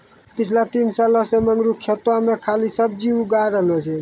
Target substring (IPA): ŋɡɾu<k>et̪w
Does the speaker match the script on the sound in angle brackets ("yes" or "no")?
no